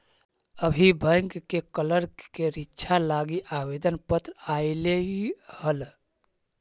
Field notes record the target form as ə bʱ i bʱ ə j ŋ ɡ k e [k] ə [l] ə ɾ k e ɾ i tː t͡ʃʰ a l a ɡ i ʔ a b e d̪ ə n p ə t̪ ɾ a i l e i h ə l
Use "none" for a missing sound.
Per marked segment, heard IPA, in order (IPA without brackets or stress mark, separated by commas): k, l